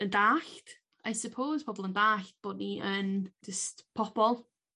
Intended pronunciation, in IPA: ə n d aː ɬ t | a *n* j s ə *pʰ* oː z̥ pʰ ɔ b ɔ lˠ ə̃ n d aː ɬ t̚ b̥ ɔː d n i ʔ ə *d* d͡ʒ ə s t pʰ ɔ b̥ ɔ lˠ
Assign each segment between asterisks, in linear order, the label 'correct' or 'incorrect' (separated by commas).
incorrect, correct, incorrect